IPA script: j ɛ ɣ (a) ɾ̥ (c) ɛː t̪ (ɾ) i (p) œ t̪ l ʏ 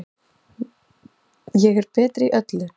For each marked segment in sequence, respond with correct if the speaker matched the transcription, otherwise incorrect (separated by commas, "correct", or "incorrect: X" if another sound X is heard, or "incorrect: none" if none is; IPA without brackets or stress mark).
incorrect: ɛ, incorrect: p, correct, incorrect: ʔ